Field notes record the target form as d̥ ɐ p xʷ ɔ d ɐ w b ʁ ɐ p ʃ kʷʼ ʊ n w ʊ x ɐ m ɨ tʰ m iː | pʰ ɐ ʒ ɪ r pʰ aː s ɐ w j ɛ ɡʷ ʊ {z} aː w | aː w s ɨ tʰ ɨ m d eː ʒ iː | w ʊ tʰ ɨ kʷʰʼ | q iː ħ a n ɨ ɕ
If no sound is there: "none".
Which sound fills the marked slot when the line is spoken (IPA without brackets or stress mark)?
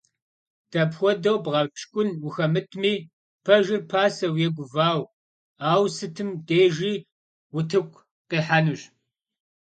v